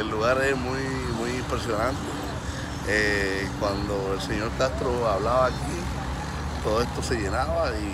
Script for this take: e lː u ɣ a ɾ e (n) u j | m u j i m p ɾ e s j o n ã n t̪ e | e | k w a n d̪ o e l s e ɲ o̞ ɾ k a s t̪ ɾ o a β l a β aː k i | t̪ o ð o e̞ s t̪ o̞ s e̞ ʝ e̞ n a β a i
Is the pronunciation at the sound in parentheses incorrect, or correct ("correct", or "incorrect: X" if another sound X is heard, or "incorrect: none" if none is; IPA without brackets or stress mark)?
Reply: incorrect: m